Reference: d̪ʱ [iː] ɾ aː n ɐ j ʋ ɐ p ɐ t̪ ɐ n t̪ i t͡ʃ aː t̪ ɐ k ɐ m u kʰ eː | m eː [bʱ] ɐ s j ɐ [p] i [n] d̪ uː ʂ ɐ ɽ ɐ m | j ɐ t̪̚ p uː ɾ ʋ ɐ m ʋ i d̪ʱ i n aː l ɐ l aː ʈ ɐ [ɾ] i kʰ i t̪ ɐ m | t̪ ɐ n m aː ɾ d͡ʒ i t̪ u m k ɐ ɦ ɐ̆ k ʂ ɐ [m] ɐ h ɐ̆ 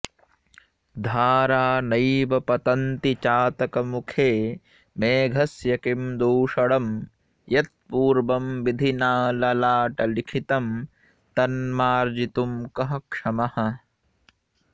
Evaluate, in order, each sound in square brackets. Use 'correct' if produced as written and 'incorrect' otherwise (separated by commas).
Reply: incorrect, incorrect, incorrect, incorrect, incorrect, correct